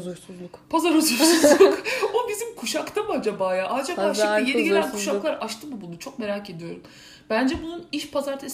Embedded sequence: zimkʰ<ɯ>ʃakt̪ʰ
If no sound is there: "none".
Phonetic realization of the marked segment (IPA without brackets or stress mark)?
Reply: u